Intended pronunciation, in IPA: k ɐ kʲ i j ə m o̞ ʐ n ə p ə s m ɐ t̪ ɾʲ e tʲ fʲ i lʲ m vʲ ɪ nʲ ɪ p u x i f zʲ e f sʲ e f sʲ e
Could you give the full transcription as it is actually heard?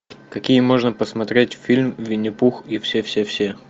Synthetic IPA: k ɐ kʲ i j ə m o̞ ʐ n ə p ə s m ɐ t̪ ɾʲ e tʲ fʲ i lʲ m vʲ ɪ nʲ ɪ p u x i f sʲ e f sʲ e f sʲ e